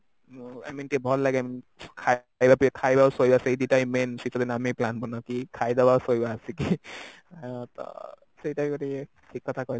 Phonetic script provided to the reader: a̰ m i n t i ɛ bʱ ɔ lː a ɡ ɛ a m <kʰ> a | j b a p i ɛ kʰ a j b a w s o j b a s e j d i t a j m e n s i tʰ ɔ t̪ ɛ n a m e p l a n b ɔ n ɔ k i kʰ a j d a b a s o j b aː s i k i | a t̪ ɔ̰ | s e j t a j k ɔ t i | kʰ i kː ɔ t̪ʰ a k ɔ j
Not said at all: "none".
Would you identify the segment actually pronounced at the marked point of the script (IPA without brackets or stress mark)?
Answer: kʰ